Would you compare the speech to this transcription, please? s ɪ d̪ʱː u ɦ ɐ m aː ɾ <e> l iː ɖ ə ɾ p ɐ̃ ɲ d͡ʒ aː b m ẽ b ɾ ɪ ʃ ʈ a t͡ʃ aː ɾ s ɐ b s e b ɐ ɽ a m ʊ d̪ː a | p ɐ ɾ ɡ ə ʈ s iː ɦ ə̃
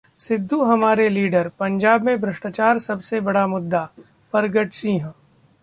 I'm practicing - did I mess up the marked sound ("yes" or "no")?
no